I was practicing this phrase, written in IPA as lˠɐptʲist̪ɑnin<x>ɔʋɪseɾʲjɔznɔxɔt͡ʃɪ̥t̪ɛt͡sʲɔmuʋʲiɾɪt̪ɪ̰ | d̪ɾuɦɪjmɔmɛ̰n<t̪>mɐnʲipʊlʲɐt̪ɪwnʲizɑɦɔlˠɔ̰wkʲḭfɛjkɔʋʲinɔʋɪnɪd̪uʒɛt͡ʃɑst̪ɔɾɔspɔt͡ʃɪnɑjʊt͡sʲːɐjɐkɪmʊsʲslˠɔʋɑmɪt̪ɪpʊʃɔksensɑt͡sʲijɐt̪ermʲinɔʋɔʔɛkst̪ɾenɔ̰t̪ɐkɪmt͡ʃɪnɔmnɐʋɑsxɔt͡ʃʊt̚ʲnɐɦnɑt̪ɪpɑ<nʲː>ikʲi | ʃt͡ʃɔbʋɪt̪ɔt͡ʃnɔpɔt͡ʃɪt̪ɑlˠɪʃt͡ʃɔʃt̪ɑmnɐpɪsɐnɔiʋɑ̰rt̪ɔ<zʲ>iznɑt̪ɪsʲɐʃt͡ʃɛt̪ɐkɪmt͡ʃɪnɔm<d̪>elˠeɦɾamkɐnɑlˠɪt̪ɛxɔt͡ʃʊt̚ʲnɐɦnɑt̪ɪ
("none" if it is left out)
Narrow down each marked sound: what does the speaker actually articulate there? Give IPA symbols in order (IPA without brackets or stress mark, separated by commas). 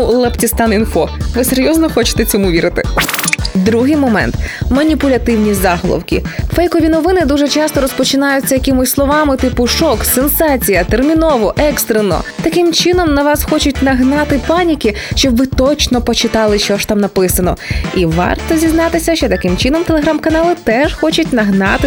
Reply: f, t̪, nʲ, zʲ, t̪